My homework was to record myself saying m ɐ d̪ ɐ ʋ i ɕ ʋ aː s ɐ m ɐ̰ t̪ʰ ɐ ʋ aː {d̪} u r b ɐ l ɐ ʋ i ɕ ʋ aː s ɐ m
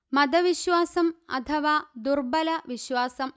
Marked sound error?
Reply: no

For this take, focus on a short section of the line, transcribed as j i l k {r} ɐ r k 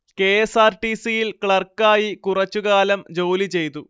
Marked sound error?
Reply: yes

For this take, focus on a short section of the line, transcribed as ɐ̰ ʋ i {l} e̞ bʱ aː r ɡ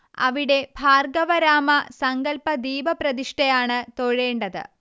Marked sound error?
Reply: yes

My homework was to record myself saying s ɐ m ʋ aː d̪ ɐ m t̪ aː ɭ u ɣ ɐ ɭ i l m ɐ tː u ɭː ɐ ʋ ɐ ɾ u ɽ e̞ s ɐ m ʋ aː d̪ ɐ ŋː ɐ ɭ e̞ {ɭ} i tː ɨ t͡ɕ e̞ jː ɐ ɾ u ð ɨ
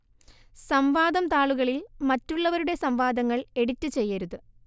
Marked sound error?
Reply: yes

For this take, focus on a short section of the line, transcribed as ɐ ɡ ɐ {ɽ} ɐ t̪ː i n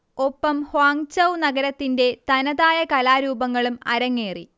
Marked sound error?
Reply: yes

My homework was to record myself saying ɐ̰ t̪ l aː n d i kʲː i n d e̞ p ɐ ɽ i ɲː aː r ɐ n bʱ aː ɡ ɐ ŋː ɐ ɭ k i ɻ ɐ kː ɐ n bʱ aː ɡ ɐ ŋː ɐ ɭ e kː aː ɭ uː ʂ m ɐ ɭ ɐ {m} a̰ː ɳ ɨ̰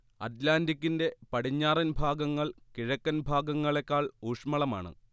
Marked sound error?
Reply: no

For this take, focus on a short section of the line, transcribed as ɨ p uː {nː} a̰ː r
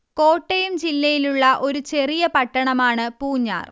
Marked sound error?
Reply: yes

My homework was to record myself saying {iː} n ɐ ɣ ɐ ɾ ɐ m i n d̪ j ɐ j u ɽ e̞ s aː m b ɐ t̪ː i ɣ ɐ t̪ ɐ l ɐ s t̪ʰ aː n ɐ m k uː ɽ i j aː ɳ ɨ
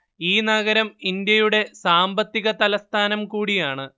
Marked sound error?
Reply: no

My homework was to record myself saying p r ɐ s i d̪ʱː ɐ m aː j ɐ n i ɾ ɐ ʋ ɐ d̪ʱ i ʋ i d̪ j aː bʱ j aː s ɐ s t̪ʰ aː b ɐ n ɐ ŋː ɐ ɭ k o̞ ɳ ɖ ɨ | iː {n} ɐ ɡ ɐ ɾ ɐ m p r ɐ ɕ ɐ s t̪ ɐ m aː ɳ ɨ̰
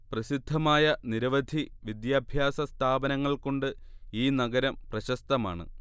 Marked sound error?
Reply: no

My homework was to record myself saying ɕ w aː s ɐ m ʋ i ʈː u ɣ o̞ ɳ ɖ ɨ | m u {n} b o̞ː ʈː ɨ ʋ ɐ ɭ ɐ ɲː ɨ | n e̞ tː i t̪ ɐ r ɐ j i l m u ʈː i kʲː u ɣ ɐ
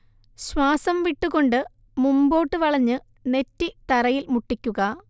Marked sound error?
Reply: yes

